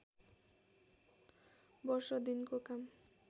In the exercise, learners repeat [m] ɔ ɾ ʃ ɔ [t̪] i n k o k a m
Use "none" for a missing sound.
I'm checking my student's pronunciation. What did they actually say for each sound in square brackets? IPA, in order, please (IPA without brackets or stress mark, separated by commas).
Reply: b, d̪